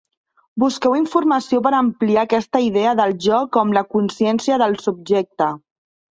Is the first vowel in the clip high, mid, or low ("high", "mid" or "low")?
high